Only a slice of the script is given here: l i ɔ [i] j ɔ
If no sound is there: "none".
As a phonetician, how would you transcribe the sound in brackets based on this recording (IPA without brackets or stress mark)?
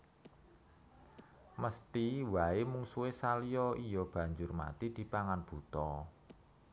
i